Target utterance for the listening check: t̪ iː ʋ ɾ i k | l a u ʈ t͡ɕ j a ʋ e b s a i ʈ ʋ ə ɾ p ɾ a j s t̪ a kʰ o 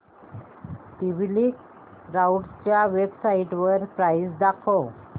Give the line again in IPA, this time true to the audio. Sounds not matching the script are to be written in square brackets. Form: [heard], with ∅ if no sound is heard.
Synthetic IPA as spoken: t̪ [i] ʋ [l] i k | [ɾ] a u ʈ t͡ɕ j a ʋ e b s a i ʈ ʋ ə ɾ p ɾ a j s [d̪] a kʰ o

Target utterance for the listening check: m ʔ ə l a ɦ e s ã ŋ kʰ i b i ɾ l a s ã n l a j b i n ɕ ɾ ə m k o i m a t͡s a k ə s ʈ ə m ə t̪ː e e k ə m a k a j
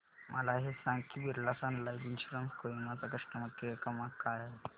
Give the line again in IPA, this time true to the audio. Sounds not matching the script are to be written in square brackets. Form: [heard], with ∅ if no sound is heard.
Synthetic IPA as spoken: m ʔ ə l a ɦ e s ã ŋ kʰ i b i ɾ l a s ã n l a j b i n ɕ ɾ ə m k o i m a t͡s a k ə [ʂ] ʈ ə m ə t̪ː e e k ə m a k a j

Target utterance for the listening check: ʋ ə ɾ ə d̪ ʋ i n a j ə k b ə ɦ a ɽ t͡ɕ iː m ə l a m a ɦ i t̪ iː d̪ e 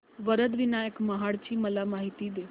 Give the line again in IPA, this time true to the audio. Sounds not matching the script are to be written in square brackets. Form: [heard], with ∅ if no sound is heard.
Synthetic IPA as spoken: ʋ ə ɾ ə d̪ ʋ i n a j ə k [m] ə ɦ a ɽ t͡ɕ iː m ə l a m a ɦ i t̪ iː d̪ e

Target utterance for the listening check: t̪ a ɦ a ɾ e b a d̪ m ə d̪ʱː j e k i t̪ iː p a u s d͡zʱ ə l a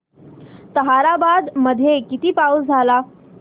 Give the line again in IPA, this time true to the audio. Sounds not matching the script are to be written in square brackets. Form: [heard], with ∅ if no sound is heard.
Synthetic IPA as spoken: t̪ [ə] ɦ a ɾ [a] b a d̪ m ə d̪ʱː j e k i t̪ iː p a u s d͡zʱ [a] l a

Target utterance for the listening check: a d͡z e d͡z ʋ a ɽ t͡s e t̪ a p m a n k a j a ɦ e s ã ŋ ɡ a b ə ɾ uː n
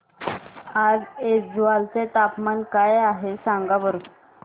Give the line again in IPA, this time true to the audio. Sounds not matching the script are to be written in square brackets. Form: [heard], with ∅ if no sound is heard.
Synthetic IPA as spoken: a d͡z e d͡z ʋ a [l] t͡s e t̪ a p m a n k a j a ɦ e s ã ŋ ɡ a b ə ɾ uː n

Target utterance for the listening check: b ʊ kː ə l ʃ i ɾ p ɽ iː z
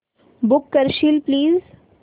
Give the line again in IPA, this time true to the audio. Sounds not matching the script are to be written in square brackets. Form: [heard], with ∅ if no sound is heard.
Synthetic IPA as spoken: b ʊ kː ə [ɾ] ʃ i [l] p [l] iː z

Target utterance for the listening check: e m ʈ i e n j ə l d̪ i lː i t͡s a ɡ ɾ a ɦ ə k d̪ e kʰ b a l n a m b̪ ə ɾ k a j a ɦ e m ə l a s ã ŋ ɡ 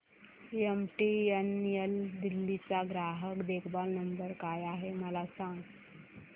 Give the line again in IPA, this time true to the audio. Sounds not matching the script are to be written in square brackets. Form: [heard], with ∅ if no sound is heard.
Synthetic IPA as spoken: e m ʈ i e n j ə l d̪ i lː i t͡s a ɡ ɾ a ɦ ə k d̪ e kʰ b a l n [ə] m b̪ ə ɾ k a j a ɦ e m ə l a s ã ŋ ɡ

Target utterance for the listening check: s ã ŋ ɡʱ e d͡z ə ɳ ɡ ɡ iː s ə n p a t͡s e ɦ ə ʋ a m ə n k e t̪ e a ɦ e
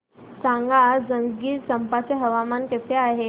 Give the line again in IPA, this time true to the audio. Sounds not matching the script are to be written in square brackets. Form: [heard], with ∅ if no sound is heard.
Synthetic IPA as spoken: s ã ŋ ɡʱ [a] d͡z ə [ŋ] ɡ ɡ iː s ə [m] p a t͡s e ɦ ə ʋ a m [a] n k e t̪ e a ɦ e

